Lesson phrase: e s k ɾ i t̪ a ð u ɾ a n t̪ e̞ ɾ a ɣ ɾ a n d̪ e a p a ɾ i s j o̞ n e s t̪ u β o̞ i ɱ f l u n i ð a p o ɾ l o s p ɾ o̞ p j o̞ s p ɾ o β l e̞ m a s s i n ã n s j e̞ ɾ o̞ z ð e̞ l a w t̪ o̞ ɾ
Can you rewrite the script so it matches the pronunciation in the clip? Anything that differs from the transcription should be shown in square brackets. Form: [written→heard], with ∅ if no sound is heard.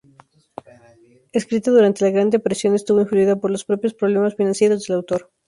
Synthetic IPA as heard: e s k ɾ i t̪ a ð u ɾ a n t̪ e̞ [ɾ→l] a ɣ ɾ a n d̪ e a p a ɾ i s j o̞ n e s t̪ u β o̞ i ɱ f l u [n→∅] i ð a p o ɾ l o s p ɾ o̞ p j o̞ s p ɾ o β l e̞ m a s [s→f] i n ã n s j e̞ ɾ o̞ z ð e̞ l a w t̪ o̞ ɾ